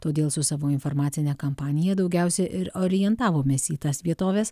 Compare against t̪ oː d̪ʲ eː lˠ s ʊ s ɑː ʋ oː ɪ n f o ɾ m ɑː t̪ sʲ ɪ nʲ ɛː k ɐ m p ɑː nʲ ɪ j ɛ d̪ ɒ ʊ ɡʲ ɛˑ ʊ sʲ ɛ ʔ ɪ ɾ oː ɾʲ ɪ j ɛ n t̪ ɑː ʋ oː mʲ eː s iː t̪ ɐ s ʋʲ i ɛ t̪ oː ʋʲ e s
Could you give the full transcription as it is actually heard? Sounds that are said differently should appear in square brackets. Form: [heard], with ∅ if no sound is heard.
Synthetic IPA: t̪ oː d̪ʲ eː lˠ s ʊ s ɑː ʋ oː ɪ n f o ɾ m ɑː t̪ sʲ ɪ nʲ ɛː k ɐ m p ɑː nʲ ɪ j ɛ d̪ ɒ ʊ ɡʲ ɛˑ ʊ sʲ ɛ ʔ ɪ ɾ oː ɾʲ ɪ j ɛ n t̪ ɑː ʋ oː mʲ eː s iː t̪ ɐ s ʋʲ i ɛ t̪ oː ʋʲ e s